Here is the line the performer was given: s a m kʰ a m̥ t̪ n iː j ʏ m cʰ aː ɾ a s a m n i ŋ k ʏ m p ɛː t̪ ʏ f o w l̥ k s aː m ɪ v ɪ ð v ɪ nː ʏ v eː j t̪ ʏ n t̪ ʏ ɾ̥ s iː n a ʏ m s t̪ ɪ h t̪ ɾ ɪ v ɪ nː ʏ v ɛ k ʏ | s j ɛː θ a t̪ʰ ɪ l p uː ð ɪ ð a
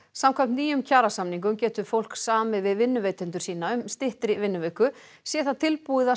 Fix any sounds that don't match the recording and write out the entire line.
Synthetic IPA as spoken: s a m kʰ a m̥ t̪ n iː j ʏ m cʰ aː ɾ a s a m n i ŋ k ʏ m c ɛː t̪ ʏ f o w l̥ k s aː m ɪ v ɪ ð v ɪ nː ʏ v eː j t̪ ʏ n t̪ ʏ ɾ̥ s iː n a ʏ m s t̪ ɪ h t̪ ɾ ɪ v ɪ nː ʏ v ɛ k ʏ | s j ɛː θ a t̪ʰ ɪ l p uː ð ɪ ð a